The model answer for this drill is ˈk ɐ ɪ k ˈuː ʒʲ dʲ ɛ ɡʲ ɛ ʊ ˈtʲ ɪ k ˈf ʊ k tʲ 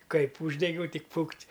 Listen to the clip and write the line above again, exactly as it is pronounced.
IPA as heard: ˈk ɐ ɪ p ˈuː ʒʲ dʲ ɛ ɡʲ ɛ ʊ ˈtʲ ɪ k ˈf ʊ k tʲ